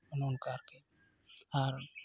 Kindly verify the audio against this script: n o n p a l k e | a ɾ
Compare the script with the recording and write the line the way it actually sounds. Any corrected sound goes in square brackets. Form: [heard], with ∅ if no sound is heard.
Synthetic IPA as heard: n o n [k] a [ɾ] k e | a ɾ